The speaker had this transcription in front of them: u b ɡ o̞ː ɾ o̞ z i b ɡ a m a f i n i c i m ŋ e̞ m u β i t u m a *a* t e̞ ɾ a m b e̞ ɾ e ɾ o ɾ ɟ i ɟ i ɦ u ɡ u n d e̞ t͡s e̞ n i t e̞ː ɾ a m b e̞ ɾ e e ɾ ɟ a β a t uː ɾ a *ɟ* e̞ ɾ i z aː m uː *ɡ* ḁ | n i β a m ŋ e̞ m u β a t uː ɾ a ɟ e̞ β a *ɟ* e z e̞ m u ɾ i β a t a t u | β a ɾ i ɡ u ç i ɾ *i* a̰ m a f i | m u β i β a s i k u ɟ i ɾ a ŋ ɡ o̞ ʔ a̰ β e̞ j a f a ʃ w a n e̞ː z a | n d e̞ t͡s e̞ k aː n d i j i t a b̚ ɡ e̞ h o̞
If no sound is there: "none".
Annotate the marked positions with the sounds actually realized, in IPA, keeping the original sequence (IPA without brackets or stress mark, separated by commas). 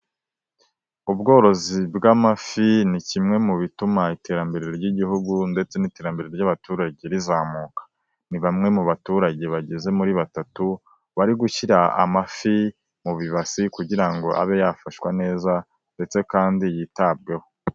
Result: i, ɟ, k, ɟ, a